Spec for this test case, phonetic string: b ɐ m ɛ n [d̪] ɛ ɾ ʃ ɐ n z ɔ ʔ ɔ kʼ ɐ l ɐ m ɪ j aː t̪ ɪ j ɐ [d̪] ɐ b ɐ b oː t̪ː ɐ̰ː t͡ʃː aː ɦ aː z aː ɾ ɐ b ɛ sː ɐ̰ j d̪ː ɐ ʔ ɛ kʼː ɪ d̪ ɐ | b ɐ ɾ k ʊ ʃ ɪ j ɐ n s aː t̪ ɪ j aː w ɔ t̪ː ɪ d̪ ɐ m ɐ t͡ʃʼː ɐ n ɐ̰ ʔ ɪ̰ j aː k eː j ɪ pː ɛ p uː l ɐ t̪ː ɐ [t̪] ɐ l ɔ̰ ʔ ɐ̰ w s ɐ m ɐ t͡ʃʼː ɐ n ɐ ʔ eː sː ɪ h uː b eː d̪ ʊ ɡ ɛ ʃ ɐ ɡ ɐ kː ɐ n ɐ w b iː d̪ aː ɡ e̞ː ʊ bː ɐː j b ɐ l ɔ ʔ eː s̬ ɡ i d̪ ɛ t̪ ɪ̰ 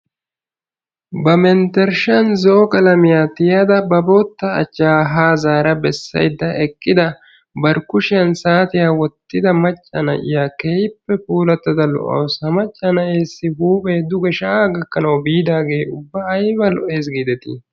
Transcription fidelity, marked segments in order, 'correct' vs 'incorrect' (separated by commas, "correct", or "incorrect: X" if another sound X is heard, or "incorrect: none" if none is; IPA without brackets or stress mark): incorrect: t̪, correct, incorrect: d̪